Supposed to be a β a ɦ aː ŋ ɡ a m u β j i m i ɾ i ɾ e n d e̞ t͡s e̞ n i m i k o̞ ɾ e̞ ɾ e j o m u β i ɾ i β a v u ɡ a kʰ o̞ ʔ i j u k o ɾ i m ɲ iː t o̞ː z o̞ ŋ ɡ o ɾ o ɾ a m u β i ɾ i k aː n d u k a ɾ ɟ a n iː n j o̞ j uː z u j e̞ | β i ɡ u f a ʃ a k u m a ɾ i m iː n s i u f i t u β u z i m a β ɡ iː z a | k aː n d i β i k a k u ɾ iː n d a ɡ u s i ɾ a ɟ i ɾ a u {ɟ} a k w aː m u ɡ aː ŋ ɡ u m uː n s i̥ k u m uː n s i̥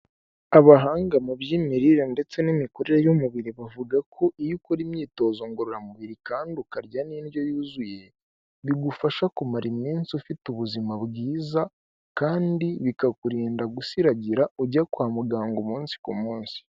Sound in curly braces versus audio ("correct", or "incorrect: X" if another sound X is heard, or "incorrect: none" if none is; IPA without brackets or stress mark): correct